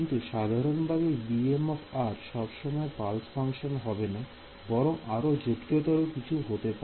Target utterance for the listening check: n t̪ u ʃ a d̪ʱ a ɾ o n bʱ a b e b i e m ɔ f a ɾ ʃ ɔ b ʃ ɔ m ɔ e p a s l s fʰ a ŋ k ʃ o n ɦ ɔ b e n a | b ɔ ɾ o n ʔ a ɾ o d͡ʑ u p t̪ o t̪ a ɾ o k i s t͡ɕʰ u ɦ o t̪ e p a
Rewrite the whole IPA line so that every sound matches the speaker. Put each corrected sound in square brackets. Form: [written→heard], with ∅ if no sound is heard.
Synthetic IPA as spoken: n t̪ u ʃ a d̪ʱ a ɾ o n bʱ a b e b i e m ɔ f a ɾ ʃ ɔ b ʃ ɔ m ɔ e p a [s→∅] l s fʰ a ŋ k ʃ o n ɦ ɔ b e n a | b ɔ ɾ o [n→ŋ] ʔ a ɾ o d͡ʑ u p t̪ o t̪ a ɾ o k i [s→∅] t͡ɕʰ u ɦ o t̪ e p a